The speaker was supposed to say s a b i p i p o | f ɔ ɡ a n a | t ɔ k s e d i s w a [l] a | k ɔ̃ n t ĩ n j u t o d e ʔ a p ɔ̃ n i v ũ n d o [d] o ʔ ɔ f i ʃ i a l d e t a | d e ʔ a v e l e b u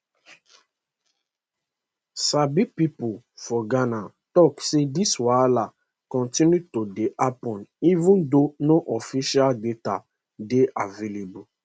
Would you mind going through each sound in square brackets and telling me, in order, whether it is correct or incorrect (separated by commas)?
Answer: correct, incorrect